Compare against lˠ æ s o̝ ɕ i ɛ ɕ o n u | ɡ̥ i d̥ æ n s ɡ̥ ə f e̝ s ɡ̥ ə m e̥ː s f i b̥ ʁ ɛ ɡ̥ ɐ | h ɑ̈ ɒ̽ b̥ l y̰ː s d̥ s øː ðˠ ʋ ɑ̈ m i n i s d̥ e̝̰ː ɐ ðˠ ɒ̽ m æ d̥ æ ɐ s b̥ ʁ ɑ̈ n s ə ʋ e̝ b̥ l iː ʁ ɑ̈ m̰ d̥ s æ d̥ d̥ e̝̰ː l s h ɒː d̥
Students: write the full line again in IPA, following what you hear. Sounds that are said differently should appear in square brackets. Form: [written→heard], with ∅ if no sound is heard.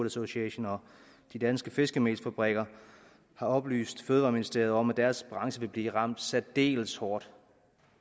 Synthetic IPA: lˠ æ s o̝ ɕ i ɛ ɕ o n [u→ɒ] | [ɡ̥→d̥] i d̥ æ n s ɡ̥ ə f e̝ s ɡ̥ ə m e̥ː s f [i→æ] b̥ ʁ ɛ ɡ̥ ɐ | h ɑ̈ ɒ̽ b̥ l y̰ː s d̥ [s→f] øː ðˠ ʋ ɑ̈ m i n i s d̥ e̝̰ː ɐ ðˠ ɒ̽ m æ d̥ æ ɐ s b̥ ʁ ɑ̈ [n→ŋ] s ə ʋ e̝ b̥ l iː ʁ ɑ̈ m̰ d̥ s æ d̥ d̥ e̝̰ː l s h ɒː d̥